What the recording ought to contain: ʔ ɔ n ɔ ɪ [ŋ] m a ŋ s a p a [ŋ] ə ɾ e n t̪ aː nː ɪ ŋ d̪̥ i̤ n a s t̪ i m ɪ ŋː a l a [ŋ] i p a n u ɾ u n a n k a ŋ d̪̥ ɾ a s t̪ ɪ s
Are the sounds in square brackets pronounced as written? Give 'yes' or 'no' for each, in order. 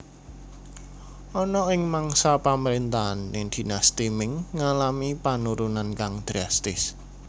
yes, no, no

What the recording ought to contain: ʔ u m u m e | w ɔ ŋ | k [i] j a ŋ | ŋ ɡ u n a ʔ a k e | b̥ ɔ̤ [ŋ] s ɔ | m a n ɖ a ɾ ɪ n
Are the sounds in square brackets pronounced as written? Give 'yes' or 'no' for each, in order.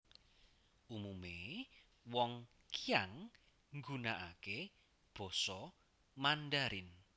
yes, no

